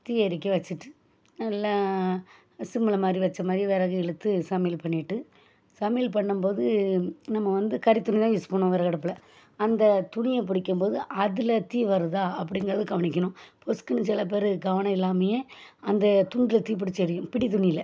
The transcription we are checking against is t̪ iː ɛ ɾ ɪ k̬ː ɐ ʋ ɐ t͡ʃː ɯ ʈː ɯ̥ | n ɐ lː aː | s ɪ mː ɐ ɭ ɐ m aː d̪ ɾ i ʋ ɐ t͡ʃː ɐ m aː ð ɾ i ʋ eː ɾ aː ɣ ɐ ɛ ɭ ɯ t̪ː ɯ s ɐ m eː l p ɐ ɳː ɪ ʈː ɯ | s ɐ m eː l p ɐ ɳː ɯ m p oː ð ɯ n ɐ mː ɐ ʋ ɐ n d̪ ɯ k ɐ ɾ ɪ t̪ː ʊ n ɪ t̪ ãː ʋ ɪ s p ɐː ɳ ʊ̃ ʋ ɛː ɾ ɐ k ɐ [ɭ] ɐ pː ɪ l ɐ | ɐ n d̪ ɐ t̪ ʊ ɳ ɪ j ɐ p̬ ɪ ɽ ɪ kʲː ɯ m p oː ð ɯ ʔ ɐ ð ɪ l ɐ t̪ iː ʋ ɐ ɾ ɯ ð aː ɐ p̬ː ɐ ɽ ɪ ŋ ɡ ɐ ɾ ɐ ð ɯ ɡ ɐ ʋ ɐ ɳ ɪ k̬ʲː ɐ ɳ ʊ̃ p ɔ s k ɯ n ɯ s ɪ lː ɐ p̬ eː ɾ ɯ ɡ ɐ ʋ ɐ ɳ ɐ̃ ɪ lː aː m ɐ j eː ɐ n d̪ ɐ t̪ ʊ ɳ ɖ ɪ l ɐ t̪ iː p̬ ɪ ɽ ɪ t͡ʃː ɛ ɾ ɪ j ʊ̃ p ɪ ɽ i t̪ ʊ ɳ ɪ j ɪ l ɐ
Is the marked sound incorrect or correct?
incorrect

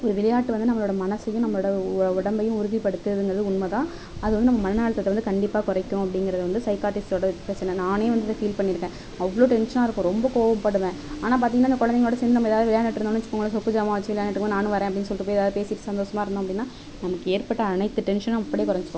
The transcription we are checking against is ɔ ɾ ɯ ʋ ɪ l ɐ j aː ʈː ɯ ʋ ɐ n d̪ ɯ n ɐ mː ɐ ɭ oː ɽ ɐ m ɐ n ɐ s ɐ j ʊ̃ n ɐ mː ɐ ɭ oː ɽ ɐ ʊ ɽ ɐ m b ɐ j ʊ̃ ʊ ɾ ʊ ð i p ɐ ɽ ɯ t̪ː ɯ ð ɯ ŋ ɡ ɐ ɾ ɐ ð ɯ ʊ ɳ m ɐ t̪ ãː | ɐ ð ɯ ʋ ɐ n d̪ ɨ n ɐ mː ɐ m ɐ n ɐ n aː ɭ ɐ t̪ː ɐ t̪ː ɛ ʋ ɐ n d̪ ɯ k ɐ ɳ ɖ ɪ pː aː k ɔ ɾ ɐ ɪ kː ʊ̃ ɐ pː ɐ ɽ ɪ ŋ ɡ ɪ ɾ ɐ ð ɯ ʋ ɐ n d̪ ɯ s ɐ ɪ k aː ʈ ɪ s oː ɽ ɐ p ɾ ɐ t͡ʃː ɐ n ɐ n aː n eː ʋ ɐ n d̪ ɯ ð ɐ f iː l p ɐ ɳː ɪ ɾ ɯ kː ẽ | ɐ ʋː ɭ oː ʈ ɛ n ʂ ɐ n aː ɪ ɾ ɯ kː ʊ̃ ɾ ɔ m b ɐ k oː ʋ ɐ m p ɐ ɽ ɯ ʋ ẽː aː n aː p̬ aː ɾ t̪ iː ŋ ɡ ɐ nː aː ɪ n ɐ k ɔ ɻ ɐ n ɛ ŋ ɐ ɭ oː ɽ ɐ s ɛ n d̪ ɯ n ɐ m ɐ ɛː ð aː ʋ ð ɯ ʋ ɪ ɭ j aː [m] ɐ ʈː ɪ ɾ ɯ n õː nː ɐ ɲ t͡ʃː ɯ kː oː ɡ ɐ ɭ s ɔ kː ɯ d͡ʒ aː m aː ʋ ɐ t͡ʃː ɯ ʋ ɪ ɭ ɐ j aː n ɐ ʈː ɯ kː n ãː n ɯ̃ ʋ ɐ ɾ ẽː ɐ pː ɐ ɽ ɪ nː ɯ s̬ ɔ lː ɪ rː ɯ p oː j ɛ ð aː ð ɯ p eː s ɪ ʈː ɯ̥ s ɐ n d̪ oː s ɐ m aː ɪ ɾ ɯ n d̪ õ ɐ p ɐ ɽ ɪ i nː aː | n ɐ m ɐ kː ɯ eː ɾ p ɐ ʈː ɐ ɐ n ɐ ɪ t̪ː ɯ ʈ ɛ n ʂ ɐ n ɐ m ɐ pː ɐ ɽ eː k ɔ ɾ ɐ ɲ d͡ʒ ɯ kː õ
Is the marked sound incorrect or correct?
incorrect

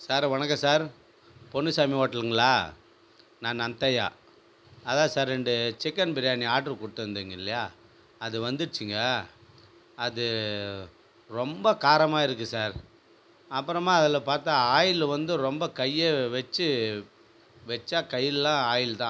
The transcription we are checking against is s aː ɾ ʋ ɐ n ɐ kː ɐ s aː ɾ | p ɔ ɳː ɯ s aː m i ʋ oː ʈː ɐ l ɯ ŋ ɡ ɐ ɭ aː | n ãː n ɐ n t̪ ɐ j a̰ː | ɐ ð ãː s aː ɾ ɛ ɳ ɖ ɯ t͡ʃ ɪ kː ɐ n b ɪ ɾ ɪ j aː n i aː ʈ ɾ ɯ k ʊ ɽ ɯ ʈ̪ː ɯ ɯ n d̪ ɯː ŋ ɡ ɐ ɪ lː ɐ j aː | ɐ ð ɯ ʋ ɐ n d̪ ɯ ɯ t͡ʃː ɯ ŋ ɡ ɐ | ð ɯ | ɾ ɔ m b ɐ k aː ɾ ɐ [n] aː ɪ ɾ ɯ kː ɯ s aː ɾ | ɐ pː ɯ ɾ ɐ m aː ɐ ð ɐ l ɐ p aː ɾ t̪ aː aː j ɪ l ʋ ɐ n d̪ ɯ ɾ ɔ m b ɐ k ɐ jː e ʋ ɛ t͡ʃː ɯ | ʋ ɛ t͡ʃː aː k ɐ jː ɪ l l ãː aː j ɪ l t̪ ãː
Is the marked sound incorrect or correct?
incorrect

